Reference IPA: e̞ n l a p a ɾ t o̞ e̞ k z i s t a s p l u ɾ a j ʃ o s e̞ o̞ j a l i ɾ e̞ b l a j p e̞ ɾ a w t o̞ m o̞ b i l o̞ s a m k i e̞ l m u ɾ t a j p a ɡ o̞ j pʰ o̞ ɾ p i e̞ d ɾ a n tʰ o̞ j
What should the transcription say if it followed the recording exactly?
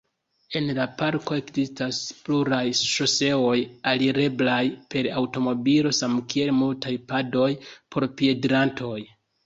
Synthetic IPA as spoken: e̞ n l a p a ɾ k o̞ e̞ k z i s t a s p l u ɾ a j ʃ o s e̞ o̞ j a l i ɾ e̞ b l a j p e̞ ɾ a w t o̞ m o̞ b i l o̞ s a m k i e̞ l m u l t a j p a d o̞ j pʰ o̞ ɾ p i e̞ d ɾ a n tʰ o̞ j